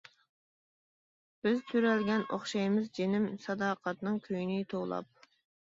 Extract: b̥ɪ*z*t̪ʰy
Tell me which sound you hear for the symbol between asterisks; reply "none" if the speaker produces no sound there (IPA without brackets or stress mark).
z